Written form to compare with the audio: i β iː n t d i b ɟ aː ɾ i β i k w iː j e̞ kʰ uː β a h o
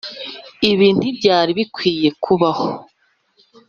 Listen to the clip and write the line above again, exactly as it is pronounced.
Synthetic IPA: i β iː n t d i b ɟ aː ɾ i β i k w iː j e̞ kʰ u β a h o